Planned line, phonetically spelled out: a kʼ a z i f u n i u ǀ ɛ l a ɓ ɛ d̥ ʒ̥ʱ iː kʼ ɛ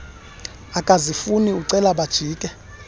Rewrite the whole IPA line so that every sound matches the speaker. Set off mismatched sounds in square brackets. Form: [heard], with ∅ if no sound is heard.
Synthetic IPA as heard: a kʼ a z i f u n i u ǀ ɛ l a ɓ [a] d̥ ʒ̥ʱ iː kʼ ɛ

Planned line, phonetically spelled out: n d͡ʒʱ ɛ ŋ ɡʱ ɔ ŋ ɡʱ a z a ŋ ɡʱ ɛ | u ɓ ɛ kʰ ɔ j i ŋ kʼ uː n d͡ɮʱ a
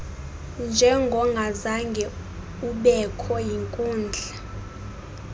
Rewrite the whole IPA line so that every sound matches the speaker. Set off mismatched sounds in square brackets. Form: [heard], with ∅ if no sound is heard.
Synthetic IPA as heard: n d͡ʒʱ ɛ ŋ ɡʱ ɔ ŋ ɡʱ a z a ŋ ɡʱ ɛ | u ɓ ɛ kʰ ɔ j i ŋ kʼ uː n d͡ɮʱ a

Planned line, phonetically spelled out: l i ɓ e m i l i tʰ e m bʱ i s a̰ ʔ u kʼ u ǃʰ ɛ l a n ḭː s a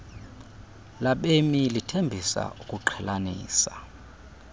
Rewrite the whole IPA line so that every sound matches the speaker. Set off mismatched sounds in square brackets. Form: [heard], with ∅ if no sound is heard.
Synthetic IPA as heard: l [a] ɓ e m i l i tʰ e m bʱ i s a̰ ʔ u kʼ u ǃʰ ɛ l a n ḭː s a

